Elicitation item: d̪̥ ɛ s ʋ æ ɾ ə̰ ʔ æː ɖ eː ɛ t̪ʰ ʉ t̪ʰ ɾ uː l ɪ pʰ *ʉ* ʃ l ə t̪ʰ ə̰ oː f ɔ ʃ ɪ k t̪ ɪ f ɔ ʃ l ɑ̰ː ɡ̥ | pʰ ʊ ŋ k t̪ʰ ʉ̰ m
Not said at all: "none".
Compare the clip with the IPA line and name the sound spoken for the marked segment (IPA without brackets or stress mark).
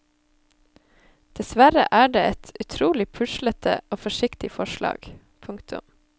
ʉ